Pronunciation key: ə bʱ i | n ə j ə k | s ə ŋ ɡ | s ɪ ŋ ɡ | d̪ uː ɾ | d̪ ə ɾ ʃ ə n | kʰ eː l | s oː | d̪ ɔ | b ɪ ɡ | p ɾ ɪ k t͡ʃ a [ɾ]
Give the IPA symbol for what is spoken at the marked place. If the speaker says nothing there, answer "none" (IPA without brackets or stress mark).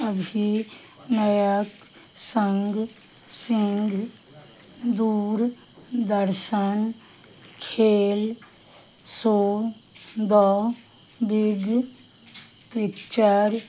ɾ